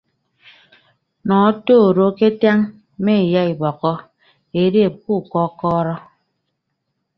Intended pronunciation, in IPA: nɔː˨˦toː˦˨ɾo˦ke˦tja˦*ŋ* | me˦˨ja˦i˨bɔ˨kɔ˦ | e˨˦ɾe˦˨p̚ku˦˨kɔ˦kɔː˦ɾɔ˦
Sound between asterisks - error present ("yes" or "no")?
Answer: no